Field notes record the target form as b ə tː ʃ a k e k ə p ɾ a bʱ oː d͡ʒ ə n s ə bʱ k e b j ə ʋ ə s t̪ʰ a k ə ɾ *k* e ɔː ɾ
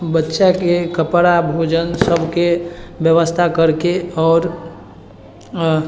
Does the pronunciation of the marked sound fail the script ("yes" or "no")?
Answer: no